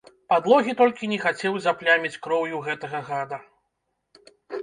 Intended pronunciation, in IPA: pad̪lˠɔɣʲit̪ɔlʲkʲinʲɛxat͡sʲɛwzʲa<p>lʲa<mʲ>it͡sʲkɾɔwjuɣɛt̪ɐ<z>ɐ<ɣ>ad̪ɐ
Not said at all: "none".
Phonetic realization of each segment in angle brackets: p, mʲ, ɣ, ɣ

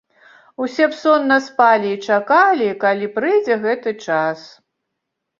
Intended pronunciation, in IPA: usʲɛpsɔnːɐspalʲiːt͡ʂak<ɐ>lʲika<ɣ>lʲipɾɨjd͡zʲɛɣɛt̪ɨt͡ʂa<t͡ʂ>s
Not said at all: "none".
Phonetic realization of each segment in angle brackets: a, none, none

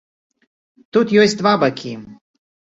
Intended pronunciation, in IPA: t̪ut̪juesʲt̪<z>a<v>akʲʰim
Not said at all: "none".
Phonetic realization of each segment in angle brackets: v, b

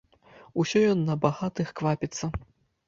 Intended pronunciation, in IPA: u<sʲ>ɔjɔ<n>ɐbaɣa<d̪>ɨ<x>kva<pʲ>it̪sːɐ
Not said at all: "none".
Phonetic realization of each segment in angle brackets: sʲ, nː, t̪, x, pʲ

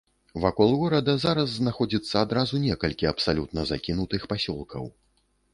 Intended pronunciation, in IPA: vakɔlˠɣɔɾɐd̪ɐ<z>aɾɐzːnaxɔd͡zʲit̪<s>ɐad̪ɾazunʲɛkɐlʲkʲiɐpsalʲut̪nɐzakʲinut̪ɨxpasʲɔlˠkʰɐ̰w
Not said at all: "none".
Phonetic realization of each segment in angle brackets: z, sː

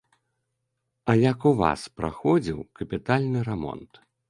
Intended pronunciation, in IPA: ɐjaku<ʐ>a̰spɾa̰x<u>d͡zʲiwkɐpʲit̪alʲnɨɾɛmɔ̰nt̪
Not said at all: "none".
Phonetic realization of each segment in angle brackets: v, ɔ

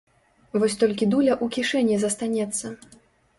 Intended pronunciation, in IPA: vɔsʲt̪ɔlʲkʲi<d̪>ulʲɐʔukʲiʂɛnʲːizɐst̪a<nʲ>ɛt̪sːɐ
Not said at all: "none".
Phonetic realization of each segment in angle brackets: d̪, nʲ

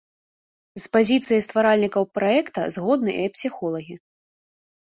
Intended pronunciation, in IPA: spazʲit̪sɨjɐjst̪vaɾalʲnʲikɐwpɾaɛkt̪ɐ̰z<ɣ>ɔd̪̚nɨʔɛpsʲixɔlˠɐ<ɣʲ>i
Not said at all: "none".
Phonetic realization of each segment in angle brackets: ɣ, ɣʲ

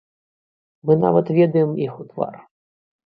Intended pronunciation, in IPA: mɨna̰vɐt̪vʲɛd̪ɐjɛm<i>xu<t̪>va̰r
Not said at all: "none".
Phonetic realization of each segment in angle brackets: i, t̪

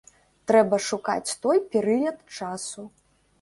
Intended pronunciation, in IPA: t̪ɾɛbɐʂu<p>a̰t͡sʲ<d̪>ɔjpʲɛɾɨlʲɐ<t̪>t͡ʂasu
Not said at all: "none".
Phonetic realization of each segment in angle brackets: k, t̪, t̪

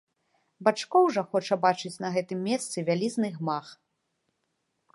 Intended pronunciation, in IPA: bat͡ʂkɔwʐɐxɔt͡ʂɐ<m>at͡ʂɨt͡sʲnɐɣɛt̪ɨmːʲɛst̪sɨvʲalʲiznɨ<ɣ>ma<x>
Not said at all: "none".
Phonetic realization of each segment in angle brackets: b, ɣ, x

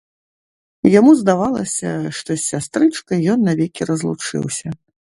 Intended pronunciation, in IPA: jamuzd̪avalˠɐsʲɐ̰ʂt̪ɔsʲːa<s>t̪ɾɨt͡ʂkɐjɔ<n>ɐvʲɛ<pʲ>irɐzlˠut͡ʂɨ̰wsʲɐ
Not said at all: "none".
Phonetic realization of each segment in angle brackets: s, nː, kʲ

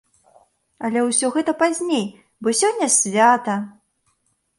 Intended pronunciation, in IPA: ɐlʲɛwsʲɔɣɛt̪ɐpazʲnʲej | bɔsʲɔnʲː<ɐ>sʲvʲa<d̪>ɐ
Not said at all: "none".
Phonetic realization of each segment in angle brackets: ɐ, t̪

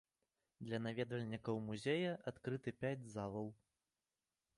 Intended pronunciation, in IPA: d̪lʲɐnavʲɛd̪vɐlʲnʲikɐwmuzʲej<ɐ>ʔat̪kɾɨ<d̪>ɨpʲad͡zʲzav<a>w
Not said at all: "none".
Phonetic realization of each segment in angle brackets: ɐ, t̪, ɐ

